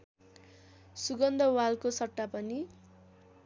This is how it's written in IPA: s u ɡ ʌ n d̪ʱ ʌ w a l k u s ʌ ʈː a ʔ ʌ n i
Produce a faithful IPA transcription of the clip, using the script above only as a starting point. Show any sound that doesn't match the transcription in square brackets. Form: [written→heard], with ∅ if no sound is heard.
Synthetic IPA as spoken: s u ɡ ʌ n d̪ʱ ʌ w a l k [u→o] s ʌ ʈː a [ʔ→p] ʌ n i